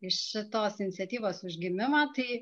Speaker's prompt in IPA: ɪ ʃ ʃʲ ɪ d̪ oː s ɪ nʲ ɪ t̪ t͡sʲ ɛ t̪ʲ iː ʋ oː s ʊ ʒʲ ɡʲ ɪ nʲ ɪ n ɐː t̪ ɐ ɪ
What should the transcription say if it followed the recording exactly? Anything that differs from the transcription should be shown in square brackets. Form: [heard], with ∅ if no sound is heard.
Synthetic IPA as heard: ɪ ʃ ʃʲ ɪ [t̪] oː s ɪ nʲ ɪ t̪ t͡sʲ ɛ t̪ʲ iː ʋ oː s ʊ ʒʲ ɡʲ ɪ [mʲ] ɪ [m] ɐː t̪ ɐ ɪ